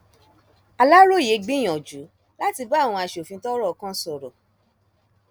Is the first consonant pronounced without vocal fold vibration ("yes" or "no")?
no